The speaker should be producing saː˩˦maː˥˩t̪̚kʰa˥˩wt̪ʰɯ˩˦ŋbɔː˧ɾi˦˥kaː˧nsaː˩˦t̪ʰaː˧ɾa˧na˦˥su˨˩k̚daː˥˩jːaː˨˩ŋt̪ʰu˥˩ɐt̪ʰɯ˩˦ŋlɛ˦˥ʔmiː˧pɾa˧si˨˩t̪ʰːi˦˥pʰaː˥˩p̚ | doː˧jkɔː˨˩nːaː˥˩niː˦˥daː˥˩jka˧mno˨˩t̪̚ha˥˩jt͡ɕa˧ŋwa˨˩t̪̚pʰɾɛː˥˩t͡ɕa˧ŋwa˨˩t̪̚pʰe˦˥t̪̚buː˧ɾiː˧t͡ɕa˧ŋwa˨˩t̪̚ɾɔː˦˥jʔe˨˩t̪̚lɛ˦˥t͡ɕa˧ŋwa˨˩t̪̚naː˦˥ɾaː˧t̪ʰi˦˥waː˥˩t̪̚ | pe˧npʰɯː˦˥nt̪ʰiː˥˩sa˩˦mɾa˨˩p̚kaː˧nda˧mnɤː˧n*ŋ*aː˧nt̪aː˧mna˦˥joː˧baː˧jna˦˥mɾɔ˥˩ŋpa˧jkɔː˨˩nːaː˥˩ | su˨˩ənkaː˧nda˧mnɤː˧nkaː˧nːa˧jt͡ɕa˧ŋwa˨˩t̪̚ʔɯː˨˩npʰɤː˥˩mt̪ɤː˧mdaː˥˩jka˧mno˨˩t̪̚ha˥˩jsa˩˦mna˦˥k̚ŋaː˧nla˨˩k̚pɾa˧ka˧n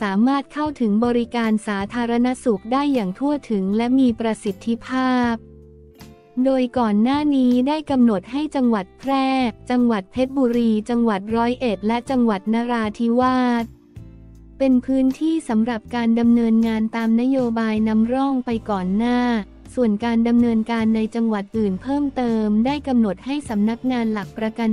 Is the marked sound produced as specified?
yes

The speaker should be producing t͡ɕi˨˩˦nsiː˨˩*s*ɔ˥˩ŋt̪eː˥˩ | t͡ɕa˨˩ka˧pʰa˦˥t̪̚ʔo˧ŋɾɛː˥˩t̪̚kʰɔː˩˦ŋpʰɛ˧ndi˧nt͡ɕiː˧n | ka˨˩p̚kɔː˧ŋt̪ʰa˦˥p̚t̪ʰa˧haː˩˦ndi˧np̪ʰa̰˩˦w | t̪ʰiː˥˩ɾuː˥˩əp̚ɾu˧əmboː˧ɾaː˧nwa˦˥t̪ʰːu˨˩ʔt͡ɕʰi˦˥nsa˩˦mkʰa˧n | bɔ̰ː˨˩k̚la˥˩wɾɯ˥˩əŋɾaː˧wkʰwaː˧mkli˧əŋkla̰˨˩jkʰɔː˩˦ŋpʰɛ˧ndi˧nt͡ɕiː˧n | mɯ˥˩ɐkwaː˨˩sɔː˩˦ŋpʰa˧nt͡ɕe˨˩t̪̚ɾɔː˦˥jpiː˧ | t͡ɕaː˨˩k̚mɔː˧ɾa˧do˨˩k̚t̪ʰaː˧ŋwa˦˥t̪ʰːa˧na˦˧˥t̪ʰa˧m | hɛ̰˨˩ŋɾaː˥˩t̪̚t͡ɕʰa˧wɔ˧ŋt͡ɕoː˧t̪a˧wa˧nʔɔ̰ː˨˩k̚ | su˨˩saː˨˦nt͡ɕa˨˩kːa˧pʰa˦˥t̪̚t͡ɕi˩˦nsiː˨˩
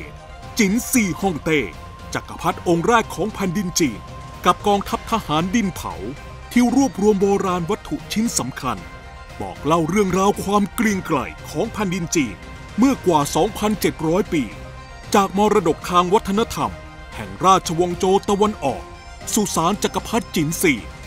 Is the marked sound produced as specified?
no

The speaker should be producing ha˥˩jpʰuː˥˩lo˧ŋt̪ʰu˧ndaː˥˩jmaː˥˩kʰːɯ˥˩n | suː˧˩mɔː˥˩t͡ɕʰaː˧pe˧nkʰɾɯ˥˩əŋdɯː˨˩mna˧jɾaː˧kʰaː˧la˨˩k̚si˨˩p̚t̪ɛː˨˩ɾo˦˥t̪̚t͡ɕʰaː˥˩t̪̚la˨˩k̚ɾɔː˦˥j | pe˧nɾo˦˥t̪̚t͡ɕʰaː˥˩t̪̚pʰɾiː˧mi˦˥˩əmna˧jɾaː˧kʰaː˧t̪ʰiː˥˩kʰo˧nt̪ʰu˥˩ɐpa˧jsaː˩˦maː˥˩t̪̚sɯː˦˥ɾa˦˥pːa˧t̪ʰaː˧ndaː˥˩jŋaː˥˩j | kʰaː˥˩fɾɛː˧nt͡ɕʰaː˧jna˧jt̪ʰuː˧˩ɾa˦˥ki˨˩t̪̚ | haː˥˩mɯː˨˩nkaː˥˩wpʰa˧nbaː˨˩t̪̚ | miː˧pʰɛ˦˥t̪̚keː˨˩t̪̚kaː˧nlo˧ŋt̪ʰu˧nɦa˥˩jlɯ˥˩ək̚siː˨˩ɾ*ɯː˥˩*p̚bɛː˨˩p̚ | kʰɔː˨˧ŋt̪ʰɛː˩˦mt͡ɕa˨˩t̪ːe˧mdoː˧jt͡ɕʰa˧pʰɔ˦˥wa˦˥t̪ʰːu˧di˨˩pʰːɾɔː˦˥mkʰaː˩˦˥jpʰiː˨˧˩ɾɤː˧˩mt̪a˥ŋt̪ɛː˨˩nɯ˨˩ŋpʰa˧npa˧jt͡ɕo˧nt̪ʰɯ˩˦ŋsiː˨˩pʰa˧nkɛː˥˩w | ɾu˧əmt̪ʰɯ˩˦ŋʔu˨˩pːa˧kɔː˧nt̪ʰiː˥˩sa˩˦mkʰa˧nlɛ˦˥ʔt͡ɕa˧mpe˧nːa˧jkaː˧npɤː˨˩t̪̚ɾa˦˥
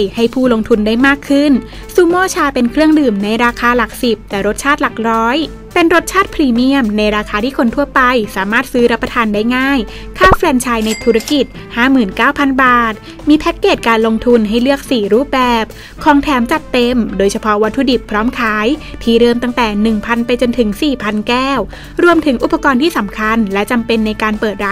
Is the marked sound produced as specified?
no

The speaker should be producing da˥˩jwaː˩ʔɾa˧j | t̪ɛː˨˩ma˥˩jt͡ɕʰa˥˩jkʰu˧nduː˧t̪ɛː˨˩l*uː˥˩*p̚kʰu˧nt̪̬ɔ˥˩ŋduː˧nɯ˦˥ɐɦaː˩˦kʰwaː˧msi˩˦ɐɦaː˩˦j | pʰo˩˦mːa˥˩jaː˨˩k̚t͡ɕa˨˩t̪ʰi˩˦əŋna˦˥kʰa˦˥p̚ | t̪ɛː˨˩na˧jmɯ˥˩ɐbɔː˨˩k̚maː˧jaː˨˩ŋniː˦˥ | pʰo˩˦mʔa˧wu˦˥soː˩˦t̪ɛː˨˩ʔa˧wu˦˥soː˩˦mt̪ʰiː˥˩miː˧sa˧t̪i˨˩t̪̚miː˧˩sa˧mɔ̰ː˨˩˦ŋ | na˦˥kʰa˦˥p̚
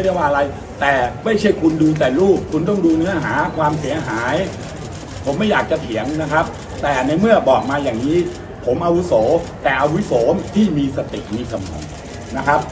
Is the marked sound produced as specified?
yes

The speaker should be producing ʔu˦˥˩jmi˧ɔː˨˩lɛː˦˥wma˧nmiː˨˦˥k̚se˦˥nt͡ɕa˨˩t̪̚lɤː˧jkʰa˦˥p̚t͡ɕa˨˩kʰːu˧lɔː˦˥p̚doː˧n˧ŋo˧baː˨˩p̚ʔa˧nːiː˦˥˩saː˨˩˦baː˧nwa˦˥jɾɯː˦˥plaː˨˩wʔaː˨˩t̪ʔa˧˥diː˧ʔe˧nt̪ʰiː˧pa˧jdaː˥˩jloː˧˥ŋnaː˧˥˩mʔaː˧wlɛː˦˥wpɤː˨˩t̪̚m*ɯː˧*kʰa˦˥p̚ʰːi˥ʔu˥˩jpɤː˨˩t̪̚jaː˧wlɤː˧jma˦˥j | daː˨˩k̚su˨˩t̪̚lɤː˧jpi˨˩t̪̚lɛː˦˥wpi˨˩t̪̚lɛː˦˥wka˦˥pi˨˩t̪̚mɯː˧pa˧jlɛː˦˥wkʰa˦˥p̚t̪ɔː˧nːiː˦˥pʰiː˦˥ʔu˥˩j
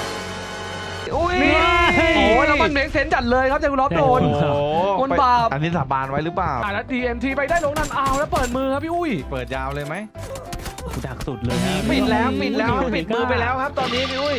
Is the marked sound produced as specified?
yes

